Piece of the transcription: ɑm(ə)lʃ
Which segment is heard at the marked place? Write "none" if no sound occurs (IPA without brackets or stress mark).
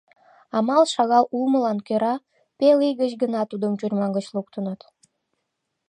ɑ